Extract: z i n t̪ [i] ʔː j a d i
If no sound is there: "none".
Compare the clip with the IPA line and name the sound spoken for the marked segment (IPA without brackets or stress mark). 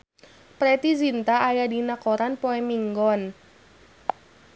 a